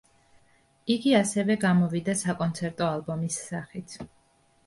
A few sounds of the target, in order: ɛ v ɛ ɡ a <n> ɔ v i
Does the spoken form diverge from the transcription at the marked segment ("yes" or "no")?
yes